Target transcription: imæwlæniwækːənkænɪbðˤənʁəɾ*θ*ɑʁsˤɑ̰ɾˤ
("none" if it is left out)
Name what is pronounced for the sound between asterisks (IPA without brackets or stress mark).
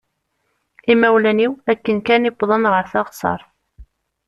θ